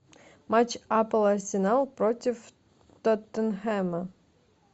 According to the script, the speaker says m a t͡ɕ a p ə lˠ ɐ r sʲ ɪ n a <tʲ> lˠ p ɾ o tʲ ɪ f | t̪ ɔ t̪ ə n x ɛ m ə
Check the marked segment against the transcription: incorrect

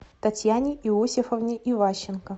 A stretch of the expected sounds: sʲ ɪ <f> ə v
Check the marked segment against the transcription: correct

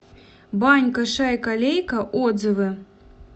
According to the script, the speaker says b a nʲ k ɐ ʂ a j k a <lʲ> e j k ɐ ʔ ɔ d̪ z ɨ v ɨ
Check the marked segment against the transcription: correct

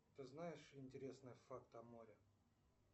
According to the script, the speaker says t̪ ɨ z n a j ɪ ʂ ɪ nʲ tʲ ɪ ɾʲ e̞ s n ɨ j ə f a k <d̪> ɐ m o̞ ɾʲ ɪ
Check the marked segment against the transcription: incorrect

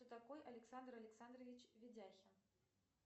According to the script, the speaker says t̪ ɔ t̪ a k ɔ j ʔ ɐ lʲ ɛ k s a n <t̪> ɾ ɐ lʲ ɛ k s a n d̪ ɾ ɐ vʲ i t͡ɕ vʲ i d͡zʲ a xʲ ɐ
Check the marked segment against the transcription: incorrect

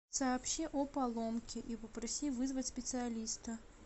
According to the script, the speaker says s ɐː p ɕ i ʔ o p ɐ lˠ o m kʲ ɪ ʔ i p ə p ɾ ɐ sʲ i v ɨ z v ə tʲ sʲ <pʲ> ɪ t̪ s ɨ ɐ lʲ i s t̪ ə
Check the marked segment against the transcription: correct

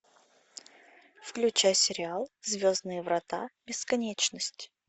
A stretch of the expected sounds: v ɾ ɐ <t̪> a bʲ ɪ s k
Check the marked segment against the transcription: correct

